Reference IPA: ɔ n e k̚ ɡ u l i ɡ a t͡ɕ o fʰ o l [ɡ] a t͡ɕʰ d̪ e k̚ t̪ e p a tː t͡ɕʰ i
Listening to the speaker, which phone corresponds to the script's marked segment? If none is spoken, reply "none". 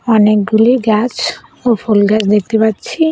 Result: ɡ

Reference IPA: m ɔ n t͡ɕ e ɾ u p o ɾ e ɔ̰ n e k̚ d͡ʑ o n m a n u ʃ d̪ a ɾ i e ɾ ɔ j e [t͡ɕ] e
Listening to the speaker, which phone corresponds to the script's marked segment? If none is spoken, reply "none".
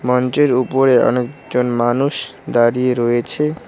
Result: t͡ɕʰ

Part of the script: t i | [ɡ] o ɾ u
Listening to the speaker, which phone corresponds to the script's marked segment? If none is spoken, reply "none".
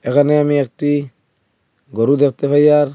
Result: ɡ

